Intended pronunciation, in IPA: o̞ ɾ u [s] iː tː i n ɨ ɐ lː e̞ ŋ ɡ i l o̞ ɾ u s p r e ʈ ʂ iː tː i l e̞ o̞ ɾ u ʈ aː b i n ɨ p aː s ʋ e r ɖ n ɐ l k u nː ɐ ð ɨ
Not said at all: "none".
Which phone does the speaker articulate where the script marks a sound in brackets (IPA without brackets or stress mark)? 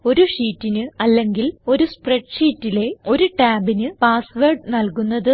ʂ